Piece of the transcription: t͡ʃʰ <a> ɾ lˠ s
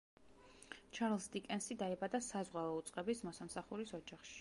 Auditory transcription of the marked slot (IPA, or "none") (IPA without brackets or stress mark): a